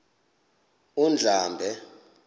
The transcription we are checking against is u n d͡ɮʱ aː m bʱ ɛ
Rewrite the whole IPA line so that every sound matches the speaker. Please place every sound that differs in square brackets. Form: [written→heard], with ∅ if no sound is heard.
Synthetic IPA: u n d͡ɮʱ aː m bʱ ɛ